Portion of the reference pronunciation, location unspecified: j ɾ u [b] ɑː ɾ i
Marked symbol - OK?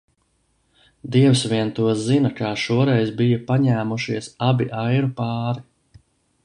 no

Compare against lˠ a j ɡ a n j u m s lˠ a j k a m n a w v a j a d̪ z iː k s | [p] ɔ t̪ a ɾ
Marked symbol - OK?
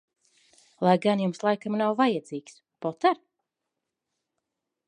yes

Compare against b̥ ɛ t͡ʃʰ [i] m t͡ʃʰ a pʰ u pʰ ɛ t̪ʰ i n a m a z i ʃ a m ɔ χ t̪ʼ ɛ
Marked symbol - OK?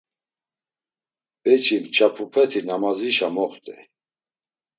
yes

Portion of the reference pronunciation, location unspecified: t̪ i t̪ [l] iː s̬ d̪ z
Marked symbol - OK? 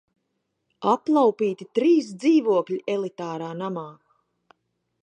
no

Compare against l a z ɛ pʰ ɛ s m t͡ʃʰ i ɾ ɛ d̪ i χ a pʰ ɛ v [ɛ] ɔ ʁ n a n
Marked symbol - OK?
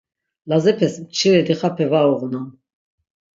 no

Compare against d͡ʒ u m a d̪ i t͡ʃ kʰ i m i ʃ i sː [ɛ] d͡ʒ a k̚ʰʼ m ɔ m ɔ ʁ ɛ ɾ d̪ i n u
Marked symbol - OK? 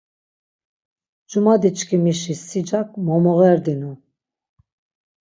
no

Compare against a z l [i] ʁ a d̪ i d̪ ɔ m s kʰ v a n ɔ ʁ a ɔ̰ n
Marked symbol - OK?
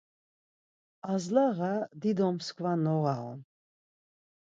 no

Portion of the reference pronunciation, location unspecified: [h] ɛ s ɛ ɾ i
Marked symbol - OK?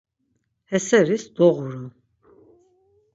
yes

